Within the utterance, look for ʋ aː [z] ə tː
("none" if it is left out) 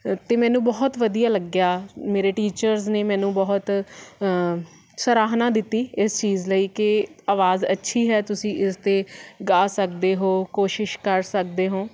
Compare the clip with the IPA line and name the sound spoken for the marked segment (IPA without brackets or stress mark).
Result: z